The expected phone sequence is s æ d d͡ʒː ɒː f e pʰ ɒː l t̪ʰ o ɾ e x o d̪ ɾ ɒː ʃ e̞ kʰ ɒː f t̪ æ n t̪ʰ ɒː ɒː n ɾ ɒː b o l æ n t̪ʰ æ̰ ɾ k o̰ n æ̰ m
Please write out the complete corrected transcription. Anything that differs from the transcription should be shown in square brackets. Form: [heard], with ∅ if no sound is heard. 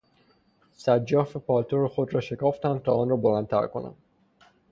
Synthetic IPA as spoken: s æ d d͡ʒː ɒː f e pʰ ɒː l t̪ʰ o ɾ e x o d̪ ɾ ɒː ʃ e̞ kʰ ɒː f t̪ æ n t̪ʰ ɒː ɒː n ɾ ɒː b o l æ n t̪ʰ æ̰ ɾ k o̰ n æ̰ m